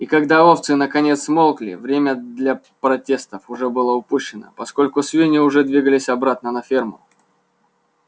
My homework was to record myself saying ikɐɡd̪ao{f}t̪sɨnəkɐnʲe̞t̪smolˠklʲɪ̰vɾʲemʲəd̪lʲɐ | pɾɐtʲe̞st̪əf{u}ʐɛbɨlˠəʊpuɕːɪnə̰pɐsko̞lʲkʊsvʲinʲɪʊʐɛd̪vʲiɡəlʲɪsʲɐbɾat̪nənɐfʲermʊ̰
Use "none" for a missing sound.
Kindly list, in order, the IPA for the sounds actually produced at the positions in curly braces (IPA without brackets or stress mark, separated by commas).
f, ʊ